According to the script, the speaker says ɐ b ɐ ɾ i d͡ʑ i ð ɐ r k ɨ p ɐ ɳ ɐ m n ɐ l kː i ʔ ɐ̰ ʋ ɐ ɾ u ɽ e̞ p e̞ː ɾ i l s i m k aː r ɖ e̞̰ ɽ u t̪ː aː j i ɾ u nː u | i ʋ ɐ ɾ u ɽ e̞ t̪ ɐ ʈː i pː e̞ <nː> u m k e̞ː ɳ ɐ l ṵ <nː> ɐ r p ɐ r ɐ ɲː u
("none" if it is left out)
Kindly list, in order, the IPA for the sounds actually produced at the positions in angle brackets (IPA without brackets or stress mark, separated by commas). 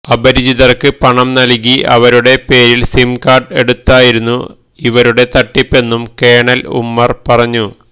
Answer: nː, mː